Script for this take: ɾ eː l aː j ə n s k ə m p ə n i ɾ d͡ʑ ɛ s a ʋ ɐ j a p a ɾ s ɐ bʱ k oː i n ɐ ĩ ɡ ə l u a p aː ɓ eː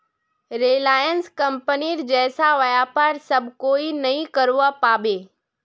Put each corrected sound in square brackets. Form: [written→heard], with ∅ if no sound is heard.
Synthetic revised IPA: ɾ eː l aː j ə n s k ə m p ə n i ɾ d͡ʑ [ɛ→ɛː] s a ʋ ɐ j a p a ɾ s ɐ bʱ k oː i n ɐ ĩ [ɡ→k] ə [l→ɾ] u a p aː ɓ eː

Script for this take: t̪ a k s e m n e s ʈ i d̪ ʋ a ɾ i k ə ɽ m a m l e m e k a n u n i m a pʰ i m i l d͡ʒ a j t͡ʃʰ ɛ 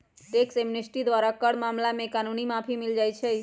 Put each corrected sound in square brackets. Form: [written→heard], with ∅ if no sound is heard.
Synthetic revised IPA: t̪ [a→e] k s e m n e s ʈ i d̪ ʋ a ɾ [i→a] k ə ɽ m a m l [e→a] m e k a n u n i m a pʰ i m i l d͡ʒ a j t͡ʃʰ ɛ

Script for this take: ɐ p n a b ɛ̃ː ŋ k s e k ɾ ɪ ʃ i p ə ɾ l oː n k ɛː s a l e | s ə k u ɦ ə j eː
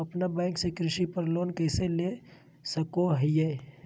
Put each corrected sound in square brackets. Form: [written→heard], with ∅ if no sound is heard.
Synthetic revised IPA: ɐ p n a b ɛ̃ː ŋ k s e k ɾ ɪ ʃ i p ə ɾ l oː n k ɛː s [a→e] l e | s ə k [u→o] ɦ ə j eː

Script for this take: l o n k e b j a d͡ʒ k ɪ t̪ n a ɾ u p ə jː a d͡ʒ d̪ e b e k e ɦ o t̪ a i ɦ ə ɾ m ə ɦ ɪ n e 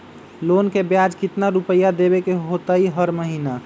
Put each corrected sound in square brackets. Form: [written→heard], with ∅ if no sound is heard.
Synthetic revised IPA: l o n k e b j a d͡ʒ k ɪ t̪ n a ɾ u p ə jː a [d͡ʒ→∅] d̪ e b e k e ɦ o t̪ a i ɦ ə ɾ m ə ɦ [ɪ→i] n [e→a]

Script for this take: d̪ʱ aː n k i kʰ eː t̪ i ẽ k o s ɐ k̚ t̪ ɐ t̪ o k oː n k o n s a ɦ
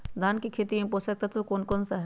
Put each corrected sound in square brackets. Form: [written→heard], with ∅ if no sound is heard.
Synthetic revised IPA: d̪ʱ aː n k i kʰ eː t̪ i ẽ [k→p] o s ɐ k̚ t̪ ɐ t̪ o k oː n k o n s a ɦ

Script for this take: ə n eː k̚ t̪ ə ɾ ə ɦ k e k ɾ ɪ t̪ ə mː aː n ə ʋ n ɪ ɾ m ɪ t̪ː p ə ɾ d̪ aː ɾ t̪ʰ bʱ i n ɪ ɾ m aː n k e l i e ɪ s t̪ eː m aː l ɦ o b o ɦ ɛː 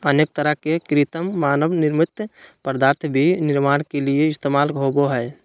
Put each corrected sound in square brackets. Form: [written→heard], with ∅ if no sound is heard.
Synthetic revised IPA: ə n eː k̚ t̪ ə ɾ ə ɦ k e k ɾ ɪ t̪ ə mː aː n ə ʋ n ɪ ɾ m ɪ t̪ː p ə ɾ d̪ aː ɾ t̪ʰ bʱ i n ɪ ɾ m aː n k e l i e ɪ s t̪ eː m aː l ɦ o b o ɦ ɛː

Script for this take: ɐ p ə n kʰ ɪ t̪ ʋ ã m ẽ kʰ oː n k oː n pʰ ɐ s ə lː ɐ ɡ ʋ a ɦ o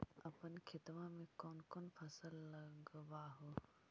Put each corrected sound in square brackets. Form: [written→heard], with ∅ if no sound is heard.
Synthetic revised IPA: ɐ p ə n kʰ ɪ t̪ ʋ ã m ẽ [kʰ→k] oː n k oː n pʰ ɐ s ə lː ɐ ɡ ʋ a ɦ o

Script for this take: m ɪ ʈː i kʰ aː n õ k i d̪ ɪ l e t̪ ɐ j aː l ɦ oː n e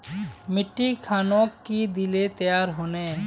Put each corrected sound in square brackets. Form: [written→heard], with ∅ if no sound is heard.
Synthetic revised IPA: m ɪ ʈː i kʰ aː n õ k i d̪ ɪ l e t̪ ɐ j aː [l→ɾ] ɦ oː n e

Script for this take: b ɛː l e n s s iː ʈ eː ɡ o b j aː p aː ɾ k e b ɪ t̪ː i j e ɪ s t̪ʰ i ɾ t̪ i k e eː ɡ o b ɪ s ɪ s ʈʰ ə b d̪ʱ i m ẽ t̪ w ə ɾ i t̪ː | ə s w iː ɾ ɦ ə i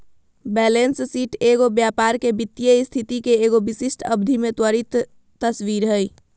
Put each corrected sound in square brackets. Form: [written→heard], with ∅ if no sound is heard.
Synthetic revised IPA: b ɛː l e n s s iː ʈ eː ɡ o b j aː p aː ɾ k e b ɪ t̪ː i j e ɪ s t̪ʰ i [ɾ→∅] t̪ i k e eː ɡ o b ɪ s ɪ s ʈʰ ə b d̪ʱ i m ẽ t̪ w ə ɾ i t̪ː | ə s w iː ɾ ɦ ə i

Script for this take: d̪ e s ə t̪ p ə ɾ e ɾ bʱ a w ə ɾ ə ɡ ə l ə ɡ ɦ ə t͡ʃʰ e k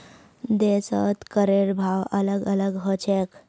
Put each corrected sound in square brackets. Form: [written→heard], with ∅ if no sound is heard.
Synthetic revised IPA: d̪ e s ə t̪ [p→k] ə ɾ e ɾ bʱ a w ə [ɾ→l] ə ɡ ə l ə ɡ ɦ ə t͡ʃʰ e k

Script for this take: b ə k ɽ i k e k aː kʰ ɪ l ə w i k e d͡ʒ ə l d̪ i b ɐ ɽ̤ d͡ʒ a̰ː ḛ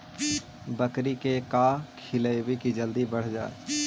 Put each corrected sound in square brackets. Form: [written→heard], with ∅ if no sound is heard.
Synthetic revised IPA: b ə k [ɽ→ɾ] i k e k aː kʰ ɪ l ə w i k [e→i] d͡ʒ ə l d̪ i b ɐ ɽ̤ d͡ʒ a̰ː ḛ

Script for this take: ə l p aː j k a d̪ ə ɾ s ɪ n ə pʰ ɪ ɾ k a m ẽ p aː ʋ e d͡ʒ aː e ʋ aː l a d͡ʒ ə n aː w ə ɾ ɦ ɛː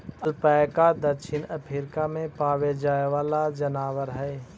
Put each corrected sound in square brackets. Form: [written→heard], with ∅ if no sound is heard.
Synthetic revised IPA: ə l p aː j k a d̪ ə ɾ [s→ʃ] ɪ n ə pʰ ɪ ɾ k a m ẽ p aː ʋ e d͡ʒ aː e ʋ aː l a d͡ʒ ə n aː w ə ɾ ɦ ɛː

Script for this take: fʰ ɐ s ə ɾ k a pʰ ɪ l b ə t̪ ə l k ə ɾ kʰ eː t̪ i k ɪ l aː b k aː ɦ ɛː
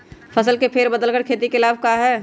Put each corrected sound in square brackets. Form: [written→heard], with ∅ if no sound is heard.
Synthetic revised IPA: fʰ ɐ s ə [ɾ→l] k [a→e] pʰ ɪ [l→ɾ] b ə [t̪→d̪] ə l k ə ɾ kʰ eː t̪ i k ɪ l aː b k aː ɦ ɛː

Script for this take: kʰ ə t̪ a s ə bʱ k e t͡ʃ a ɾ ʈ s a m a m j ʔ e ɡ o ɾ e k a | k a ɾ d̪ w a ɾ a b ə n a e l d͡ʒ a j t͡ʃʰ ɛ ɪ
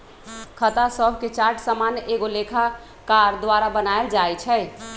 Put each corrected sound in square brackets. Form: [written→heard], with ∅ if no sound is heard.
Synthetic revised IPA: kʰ ə t̪ a s ə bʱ k e t͡ʃ a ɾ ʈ s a m a [m→n] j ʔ e ɡ o [ɾ→l] e [k→kʰ] a | k a ɾ d̪ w a ɾ a b ə n a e l d͡ʒ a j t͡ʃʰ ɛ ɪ

